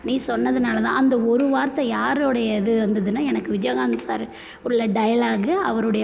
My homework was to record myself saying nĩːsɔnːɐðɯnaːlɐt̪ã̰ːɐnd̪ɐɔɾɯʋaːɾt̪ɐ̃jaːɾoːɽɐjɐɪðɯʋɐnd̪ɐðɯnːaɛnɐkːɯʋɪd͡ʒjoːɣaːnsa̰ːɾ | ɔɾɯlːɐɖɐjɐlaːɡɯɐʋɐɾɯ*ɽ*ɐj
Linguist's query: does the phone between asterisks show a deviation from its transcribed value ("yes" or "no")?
no